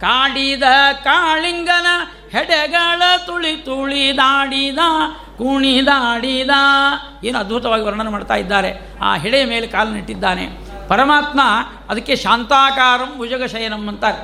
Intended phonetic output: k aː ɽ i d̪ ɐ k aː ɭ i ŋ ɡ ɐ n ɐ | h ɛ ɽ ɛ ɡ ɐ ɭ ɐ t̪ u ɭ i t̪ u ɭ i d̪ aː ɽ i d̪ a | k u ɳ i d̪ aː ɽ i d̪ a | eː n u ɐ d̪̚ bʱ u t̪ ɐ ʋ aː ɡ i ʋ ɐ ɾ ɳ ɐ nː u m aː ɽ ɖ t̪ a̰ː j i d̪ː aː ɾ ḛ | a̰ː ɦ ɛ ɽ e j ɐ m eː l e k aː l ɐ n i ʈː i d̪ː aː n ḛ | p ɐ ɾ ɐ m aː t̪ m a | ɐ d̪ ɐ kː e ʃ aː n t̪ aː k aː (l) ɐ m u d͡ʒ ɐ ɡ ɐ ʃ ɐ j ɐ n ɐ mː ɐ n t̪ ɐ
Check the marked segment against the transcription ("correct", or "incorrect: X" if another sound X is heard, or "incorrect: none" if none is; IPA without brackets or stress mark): incorrect: ɾ